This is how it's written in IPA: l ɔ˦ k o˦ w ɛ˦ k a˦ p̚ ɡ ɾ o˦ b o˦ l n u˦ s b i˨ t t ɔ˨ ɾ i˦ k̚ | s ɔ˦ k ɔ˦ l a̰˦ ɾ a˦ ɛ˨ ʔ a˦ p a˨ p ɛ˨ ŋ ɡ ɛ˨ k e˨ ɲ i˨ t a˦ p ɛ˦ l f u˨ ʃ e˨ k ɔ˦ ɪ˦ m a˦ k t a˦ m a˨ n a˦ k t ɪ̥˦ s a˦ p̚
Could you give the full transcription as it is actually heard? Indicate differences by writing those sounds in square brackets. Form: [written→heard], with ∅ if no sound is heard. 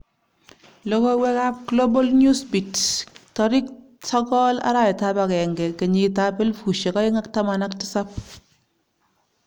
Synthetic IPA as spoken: l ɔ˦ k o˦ w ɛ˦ k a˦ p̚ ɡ [ɾ→l] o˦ b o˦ l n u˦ s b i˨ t t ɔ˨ ɾ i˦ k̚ | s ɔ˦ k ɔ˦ l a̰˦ ɾ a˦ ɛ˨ [ʔ→t] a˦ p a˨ [p→k] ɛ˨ ŋ ɡ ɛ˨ k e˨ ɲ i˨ t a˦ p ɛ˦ l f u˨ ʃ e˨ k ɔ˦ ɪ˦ [m→ŋ] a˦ k t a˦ m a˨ n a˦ k t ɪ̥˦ s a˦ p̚